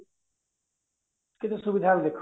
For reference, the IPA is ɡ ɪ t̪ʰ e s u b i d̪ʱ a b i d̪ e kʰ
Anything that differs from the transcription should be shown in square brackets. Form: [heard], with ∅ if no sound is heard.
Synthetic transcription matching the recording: [k] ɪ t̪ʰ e s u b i d̪ʱ a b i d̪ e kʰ